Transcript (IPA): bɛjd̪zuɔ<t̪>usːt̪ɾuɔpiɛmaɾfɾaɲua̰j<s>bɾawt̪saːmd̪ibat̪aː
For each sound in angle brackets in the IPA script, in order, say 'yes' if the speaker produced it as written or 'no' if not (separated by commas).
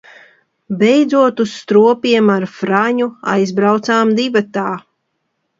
yes, no